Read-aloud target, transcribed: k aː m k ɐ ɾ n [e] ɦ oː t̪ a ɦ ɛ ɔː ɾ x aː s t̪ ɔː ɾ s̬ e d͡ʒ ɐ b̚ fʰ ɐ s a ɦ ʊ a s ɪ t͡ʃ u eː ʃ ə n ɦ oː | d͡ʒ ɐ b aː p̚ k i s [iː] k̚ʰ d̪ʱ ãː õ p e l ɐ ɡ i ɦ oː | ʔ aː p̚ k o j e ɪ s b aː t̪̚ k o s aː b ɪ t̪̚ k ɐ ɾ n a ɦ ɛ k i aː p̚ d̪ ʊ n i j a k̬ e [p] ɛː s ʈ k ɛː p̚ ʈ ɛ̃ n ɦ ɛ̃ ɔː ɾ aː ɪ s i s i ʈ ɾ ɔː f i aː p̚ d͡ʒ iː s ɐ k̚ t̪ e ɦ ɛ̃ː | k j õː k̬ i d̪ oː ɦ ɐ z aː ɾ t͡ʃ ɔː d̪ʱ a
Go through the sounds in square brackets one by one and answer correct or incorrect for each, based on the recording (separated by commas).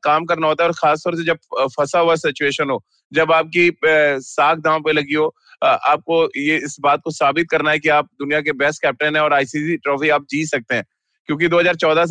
incorrect, incorrect, incorrect